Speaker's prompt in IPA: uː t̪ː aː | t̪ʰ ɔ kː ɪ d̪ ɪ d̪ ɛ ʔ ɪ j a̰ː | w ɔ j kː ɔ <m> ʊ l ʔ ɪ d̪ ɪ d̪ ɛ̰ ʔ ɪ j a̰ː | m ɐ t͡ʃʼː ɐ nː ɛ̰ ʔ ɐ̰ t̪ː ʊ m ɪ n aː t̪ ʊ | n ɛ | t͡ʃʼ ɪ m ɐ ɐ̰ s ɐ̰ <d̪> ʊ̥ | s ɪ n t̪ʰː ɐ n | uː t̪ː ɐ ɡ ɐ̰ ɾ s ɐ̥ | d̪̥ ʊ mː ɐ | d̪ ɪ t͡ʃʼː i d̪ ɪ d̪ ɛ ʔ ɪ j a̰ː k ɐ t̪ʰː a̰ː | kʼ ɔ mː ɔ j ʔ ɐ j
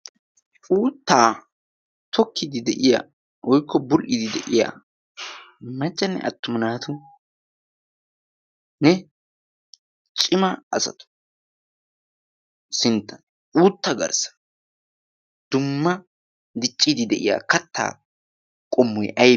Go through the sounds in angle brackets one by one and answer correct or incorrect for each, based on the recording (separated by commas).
incorrect, incorrect